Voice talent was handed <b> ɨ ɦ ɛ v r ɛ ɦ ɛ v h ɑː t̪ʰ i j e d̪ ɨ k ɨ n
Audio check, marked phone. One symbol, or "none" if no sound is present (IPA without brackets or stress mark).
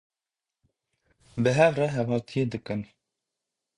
b